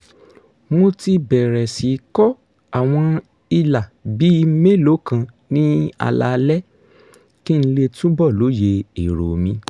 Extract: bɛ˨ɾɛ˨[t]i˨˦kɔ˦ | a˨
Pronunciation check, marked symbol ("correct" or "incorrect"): incorrect